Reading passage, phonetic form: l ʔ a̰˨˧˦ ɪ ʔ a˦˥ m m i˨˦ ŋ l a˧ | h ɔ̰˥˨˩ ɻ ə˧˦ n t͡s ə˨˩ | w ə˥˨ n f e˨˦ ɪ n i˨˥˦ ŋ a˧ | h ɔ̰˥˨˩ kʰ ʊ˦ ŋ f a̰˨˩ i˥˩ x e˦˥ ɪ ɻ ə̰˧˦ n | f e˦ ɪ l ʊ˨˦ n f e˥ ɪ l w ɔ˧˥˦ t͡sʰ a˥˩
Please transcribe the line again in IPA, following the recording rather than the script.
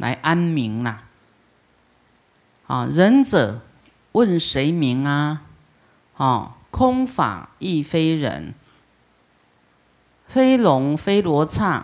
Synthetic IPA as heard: l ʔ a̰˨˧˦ ɪ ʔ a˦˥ n m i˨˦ ŋ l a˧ | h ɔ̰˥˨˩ ɻ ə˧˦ n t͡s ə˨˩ | w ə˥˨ n ʂ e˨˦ ɪ m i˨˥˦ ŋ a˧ | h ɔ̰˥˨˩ kʰ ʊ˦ ŋ f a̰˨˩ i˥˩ f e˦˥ ɪ ɻ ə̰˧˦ n | f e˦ ɪ l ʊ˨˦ ŋ f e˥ ɪ l w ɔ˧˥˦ t͡sʰ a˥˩